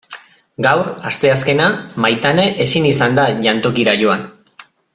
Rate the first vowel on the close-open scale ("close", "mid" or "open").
open